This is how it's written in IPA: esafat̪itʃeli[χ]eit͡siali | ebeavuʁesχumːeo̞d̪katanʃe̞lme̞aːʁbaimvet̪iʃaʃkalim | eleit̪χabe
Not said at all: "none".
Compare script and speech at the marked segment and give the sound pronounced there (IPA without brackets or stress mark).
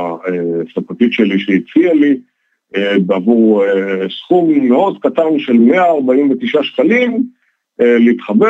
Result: ʃ